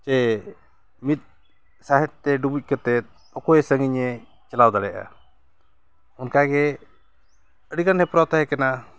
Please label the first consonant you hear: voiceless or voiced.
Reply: voiceless